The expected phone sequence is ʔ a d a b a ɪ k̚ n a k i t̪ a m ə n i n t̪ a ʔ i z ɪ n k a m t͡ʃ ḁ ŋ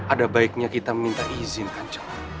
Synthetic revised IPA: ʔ a d a b a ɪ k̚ ɲ a k i t̪ a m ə m i n t̪ a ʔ i z ɪ n k a ɲ t͡ʃ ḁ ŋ